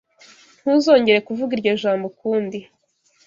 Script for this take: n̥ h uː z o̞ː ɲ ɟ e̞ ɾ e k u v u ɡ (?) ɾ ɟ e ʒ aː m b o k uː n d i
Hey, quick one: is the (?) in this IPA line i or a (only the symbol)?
i